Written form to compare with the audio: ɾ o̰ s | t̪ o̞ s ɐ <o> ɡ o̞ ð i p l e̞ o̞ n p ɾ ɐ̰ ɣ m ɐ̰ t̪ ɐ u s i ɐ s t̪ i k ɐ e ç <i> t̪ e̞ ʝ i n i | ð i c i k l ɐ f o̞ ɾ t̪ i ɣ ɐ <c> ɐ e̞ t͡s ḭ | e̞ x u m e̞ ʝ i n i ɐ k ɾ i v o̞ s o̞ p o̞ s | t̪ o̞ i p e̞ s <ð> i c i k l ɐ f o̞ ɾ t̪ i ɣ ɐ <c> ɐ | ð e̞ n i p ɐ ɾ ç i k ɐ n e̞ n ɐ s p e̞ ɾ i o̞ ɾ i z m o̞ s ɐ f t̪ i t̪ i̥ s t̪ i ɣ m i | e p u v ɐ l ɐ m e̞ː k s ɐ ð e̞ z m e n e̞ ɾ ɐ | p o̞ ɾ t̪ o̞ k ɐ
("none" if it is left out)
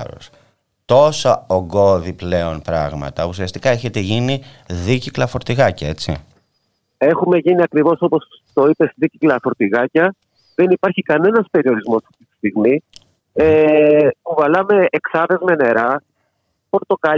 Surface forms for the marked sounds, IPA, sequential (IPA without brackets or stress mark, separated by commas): o, e, c, ð, c